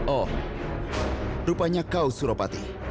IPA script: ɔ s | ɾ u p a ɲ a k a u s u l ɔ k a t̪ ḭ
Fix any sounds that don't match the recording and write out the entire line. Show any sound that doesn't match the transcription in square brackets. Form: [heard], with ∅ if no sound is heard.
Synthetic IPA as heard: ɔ [∅] | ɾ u p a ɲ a k a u s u [ɾ] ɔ [p] a t̪ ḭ